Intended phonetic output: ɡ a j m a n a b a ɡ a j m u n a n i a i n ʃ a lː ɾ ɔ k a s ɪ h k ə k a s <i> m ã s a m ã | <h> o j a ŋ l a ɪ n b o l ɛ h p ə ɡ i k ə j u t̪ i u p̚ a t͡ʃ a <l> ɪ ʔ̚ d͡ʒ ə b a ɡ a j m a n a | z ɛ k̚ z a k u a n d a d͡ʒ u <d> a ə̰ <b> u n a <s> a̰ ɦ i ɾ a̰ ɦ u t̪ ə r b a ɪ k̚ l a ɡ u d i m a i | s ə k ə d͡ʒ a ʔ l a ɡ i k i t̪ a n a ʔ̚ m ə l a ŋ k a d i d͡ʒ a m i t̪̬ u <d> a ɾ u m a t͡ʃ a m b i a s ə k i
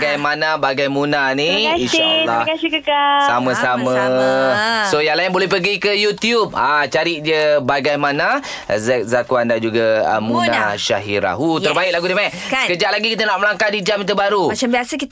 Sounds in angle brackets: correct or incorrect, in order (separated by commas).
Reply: incorrect, incorrect, incorrect, incorrect, incorrect, incorrect, incorrect